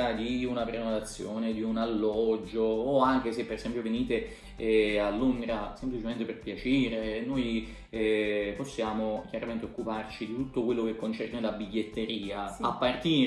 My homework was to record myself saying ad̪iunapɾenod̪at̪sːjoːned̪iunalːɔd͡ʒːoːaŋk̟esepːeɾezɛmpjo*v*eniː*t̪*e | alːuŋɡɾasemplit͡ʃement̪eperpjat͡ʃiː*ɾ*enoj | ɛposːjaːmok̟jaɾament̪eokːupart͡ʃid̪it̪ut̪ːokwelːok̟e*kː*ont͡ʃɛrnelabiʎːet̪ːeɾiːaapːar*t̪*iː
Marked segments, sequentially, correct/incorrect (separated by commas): correct, correct, correct, correct, correct